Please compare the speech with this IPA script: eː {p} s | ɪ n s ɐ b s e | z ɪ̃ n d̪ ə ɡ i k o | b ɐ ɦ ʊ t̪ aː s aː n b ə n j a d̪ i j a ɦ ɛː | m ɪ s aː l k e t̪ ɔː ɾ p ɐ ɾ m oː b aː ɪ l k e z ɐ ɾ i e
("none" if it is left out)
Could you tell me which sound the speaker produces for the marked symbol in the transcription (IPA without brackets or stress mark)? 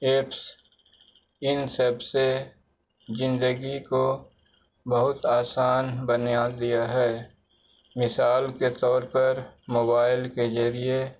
p